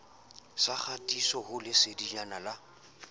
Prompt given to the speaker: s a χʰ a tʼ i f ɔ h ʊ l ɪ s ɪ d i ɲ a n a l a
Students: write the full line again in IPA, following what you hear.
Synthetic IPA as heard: s a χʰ a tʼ i s ɔ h ʊ l ɪ s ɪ d i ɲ a n a l a

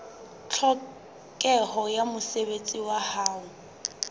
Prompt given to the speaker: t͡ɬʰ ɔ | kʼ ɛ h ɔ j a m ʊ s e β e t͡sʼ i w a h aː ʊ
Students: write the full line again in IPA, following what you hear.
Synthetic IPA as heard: t͡ɬʰ ɔ | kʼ ɛ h ɔ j a m ʊ s e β e t͡sʼ i w a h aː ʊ

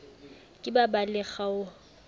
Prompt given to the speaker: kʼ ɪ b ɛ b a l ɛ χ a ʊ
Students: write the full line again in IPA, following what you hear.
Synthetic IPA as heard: kʼ ɪ b a b a l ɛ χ a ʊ

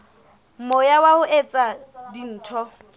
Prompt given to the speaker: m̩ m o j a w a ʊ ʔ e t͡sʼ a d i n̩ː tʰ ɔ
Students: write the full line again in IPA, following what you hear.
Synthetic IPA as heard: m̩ m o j a w a ʊ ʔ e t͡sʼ a d i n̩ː tʰ ɔ

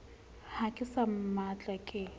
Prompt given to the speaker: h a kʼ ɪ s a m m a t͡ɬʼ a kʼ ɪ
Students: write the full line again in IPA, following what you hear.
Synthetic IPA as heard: h a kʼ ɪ s a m m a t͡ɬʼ a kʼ ɪ

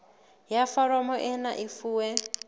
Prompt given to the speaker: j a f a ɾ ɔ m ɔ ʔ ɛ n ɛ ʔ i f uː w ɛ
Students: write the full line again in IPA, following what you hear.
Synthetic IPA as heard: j a f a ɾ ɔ m ɔ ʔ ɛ n a ʔ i f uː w ɛ

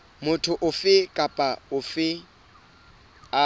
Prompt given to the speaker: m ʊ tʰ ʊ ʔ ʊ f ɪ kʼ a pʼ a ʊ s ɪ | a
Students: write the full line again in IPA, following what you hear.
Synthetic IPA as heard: m ʊ tʰ ʊ ʔ ʊ f ɪ kʼ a pʼ a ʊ f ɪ | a

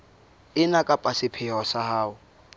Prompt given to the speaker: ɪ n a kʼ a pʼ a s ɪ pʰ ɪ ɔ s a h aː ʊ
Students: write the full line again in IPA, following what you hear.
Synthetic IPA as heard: ɪ n a kʼ a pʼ a s ɪ pʰ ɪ ɔ s a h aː ʊ

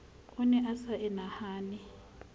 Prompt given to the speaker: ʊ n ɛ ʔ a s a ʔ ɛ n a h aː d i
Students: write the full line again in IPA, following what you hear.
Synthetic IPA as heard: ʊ n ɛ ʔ a s a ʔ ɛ n a h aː n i

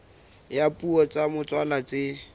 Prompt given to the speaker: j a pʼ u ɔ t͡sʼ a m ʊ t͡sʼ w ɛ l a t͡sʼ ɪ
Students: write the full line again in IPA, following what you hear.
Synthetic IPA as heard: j a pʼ u ɔ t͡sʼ a m ʊ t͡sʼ w a l a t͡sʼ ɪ

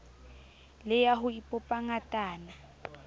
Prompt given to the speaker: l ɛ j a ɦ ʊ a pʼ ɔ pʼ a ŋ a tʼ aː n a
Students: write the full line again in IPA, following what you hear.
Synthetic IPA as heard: l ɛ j a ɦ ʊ i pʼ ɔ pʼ a ŋ a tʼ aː n a

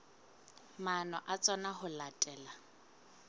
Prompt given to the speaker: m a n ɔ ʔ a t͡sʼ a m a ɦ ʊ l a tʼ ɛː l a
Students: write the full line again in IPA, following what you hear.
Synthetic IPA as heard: m a n ɔ ʔ a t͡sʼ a n a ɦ ʊ l a tʼ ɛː l a

